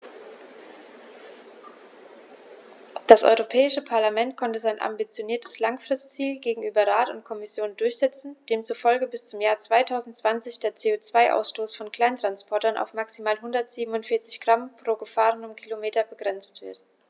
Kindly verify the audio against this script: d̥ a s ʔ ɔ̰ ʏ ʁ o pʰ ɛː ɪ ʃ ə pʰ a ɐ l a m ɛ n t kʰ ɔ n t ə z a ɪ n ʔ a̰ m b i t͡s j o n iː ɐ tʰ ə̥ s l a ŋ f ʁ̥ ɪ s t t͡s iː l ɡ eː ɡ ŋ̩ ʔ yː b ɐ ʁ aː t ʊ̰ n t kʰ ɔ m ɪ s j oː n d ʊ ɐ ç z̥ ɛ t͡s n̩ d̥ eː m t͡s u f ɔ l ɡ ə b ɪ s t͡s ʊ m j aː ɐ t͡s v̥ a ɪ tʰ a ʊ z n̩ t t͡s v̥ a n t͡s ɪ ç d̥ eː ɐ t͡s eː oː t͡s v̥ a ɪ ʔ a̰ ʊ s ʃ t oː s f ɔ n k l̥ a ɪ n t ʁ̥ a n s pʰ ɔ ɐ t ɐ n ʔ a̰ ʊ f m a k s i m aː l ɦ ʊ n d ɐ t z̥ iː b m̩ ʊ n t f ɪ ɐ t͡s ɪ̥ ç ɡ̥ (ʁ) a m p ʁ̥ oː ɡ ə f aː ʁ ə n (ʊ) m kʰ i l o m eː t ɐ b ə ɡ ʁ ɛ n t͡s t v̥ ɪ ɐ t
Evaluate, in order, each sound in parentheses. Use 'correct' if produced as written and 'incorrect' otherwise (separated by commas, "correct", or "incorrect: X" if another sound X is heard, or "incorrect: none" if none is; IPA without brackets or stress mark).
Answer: correct, correct